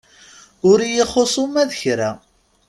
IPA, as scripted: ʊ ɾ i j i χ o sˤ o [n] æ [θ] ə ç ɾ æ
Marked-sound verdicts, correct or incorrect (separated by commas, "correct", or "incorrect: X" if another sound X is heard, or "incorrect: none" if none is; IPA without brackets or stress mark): incorrect: m, incorrect: ð